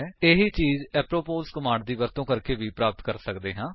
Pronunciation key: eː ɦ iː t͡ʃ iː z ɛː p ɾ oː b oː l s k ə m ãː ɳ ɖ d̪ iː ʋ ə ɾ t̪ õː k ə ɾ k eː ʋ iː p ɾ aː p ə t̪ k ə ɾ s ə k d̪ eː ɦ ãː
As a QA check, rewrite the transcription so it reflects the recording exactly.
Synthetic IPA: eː ɦ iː t͡ʃ iː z ɛː p ɾ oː p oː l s k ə m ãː ɳ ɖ d̪ iː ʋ ə ɾ t̪ õː k ə ɾ k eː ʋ iː p ɾ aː p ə t̪ k ə ɾ s ə k d̪ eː ɦ ãː